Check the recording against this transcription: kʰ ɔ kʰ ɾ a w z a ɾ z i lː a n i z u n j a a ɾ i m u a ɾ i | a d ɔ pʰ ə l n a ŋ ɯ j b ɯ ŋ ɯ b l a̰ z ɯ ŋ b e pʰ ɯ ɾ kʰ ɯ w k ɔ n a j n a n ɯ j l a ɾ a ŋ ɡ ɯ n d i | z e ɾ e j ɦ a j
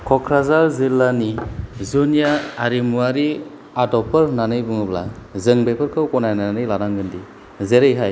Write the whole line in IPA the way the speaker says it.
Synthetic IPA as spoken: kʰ ɔ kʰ ɾ a z a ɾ z i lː a n i z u n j a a ɾ i m u a ɾ i | a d ɔ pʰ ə ɾ n a n ɯ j b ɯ ŋ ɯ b l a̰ z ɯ ŋ b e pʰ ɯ ɾ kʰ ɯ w k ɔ n a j n a n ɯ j l a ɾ a ŋ ɡ ɯ n d i | z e ɾ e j ɦ a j